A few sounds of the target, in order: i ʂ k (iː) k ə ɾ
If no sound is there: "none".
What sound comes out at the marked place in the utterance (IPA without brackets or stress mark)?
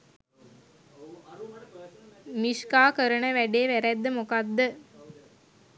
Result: aː